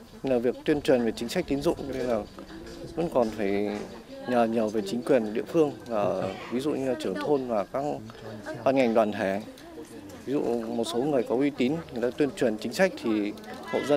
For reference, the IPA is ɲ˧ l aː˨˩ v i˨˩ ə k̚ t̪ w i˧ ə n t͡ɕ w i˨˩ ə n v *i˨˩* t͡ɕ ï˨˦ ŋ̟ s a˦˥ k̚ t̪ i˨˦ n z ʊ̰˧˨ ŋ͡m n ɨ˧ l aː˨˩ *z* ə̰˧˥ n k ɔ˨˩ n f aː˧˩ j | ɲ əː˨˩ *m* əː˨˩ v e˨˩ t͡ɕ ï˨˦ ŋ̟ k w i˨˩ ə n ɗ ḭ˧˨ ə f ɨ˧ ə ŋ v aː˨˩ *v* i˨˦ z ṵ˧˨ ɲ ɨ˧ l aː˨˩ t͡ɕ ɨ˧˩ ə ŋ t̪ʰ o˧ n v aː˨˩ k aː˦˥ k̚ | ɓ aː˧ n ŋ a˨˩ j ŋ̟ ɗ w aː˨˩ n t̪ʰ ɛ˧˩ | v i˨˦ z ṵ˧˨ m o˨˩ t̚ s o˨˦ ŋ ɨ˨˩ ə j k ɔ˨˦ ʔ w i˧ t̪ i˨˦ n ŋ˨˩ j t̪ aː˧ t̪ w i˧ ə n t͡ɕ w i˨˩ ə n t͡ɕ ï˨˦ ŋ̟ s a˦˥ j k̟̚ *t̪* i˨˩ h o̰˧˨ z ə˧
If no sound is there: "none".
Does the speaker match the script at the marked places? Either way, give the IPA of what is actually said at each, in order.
e˨˩, v, ɲ, v, t̪ʰ

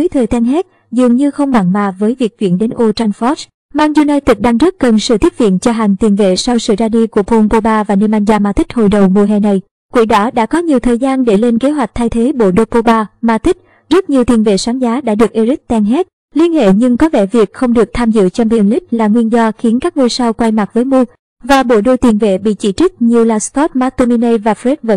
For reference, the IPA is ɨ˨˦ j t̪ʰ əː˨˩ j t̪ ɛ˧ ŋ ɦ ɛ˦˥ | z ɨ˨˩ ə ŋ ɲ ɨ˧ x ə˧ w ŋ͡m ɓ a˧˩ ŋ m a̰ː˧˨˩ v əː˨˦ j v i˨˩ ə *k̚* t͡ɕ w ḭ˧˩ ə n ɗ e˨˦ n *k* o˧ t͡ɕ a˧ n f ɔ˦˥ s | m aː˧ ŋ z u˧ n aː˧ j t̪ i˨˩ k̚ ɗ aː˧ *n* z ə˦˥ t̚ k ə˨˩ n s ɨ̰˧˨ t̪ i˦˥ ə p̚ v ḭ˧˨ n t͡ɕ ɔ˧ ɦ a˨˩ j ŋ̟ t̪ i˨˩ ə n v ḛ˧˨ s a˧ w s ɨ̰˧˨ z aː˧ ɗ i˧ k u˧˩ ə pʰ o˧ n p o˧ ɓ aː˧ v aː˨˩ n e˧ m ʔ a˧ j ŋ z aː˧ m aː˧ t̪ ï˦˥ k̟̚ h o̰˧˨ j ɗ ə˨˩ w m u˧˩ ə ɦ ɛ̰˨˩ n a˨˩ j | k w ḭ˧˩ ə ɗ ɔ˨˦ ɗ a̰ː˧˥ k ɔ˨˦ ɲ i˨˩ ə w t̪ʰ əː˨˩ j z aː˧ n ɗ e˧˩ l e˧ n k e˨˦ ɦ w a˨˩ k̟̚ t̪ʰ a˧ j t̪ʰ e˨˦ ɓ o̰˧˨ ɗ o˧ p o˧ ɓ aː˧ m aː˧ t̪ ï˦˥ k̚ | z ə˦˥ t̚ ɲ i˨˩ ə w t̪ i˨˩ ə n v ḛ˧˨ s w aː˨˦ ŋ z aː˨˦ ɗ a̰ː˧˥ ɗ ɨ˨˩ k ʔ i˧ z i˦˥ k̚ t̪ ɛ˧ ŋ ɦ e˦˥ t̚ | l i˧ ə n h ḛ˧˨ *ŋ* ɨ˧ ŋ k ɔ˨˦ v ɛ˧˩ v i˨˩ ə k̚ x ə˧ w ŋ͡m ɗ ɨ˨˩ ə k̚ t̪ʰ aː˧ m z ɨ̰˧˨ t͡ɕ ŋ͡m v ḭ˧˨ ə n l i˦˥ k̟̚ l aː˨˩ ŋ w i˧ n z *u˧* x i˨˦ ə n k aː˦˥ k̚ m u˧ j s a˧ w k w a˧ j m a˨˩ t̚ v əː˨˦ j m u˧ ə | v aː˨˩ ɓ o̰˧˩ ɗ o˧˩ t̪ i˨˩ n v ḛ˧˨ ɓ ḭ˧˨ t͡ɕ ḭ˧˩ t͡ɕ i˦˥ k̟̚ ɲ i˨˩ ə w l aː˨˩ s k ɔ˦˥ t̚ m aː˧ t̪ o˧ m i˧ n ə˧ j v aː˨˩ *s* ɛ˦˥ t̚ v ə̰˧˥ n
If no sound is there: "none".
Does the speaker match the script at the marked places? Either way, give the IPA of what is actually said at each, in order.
k̚, ʔ, ŋ, ɲ, ɔ˧, f

